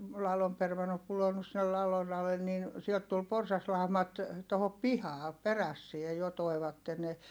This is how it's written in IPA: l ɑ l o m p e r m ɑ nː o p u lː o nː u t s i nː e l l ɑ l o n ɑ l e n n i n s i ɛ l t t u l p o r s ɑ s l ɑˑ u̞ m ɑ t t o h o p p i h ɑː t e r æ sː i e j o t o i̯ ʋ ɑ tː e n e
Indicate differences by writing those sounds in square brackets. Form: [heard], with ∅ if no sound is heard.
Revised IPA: l ɑ l o m p e r m ɑ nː o p u [l] o nː u [s] s i nː e l l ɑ l o n ɑ l e n n i n s i ɛ l t t u l p o r s ɑ s l ɑˑ u̞ m ɑ t t o h o p p i h ɑː [p] e r æ sː i e j o t o i̯ ʋ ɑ tː e n e